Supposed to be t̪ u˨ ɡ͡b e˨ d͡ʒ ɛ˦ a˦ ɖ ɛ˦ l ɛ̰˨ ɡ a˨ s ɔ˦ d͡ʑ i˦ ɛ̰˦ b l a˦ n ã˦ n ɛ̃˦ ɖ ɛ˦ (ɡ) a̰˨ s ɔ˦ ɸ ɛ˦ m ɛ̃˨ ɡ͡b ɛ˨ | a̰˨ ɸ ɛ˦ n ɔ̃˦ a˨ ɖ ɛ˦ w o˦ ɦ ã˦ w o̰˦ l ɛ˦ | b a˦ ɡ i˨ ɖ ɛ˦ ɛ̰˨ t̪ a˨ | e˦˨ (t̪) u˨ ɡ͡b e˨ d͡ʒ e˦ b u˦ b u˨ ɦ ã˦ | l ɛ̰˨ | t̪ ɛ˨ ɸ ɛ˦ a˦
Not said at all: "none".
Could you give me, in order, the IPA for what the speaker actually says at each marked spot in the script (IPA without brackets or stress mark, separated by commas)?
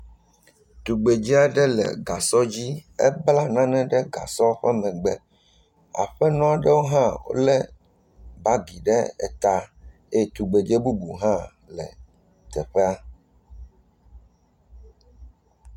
ɡ, t̪